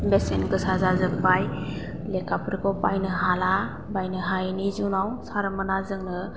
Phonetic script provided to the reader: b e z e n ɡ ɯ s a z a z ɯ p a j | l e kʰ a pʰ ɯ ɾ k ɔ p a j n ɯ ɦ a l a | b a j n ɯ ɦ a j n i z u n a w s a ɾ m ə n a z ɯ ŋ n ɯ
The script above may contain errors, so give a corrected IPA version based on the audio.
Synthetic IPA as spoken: b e s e n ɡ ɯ s a z a z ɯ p a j | l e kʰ a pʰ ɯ ɾ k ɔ p a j n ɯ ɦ a l a | b a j n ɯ ɦ a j n i z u n a w s a ɾ m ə n a z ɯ ŋ n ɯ

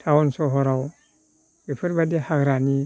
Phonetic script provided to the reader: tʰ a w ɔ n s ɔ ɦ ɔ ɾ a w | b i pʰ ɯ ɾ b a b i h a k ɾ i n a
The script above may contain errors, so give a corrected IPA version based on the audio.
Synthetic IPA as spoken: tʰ a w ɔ n s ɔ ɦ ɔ ɾ a w | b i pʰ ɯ ɾ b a d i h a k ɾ a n i

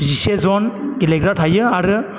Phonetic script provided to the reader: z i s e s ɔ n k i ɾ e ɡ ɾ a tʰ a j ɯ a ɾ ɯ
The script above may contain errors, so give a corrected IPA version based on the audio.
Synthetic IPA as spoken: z i s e z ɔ n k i l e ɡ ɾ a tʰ a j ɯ a ɾ ɯ

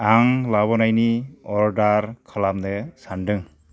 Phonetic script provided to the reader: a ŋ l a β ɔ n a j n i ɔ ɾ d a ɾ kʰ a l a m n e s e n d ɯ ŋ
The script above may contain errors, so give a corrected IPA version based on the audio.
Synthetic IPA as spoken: a ŋ l a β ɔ n a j n i ɔ ɾ d a ɾ kʰ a l a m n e s a n d ɯ ŋ

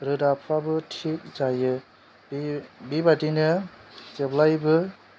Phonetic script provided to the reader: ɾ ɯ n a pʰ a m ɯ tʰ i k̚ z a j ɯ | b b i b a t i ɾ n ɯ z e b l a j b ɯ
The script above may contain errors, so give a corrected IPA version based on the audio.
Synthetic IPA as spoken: ɾ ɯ d a pʰ a b ɯ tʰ i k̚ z a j ɯ | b b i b a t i n ɯ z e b l a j b ɯ

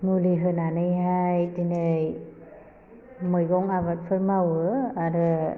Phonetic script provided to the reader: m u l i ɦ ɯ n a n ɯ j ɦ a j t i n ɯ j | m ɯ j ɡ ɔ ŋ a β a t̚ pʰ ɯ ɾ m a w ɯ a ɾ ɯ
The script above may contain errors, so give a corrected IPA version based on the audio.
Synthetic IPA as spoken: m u l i ɦ ɯ n a n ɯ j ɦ a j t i n ɯ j | m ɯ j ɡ ɔ ŋ a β a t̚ pʰ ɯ ɾ m a w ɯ a ɾ ɯ

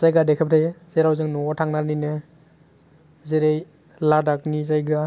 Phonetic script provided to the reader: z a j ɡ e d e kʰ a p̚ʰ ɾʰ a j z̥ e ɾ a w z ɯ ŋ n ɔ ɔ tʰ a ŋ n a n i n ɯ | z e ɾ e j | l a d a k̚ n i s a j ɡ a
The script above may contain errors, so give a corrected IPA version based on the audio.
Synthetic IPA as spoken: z a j ɡ a d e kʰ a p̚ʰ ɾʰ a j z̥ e ɾ a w z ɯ ŋ n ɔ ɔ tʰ a ŋ n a n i n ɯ | z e ɾ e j | l a d a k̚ n i z a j ɡ a

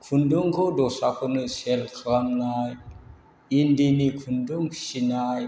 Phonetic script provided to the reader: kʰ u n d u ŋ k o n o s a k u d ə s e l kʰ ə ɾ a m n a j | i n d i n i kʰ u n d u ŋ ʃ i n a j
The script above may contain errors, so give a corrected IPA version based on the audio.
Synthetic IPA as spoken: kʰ u n d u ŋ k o d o s a k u n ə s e l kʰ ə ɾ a m n a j | i n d i n i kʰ u n d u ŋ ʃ i n a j

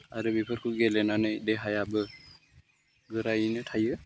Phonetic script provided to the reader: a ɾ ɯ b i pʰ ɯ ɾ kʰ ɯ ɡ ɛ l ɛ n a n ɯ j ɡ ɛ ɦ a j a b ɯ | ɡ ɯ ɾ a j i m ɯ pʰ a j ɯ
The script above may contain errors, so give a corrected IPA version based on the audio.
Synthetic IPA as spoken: a ɾ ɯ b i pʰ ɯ ɾ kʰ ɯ ɡ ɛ l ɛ n a n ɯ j d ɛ ɦ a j a b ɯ | ɡ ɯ ɾ a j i n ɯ tʰ a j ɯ

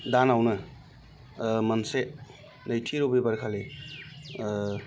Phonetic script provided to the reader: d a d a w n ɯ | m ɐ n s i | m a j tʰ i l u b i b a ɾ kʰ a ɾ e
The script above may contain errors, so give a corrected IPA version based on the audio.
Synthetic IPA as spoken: d a n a w n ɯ | m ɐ n s e | n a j tʰ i ɾ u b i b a ɾ kʰ a l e

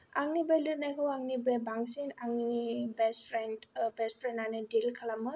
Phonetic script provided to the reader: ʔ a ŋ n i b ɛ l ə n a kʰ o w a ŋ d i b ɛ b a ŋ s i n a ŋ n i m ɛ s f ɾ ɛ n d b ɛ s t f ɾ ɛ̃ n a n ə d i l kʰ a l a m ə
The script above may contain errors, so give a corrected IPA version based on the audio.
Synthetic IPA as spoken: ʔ a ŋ n i b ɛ l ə n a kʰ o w a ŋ n i b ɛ b a ŋ s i n a ŋ n i b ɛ s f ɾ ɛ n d b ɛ s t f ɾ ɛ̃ n a n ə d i l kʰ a l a m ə

